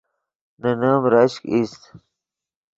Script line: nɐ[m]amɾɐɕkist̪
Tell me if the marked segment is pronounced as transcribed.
no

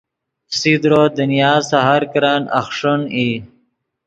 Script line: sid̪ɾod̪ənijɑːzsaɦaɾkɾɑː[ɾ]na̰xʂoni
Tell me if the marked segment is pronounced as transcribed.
no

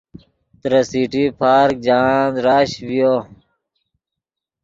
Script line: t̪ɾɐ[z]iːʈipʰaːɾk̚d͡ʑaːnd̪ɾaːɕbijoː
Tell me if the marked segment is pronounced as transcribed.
no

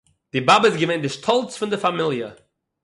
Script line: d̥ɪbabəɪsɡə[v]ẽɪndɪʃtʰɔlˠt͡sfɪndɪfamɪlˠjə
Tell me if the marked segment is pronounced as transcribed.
yes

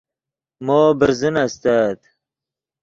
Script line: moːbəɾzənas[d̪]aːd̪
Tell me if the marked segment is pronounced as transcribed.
no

